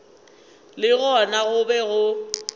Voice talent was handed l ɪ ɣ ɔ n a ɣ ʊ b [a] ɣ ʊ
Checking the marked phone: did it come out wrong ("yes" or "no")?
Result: yes